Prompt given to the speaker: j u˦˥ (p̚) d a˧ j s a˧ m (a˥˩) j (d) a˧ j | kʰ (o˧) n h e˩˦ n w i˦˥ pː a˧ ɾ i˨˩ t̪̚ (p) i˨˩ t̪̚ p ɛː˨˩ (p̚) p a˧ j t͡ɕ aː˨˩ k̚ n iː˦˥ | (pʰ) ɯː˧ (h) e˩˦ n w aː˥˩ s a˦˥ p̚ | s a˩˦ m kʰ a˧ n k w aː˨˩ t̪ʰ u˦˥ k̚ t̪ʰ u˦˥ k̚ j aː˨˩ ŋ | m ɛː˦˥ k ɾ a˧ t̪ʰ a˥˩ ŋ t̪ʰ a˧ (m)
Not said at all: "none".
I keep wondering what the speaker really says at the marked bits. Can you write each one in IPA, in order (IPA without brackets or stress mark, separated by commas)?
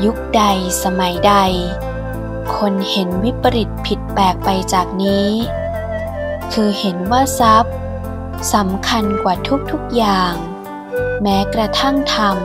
k̚, a˩˦, d, o˧, pʰ, k̚, kʰ, h, m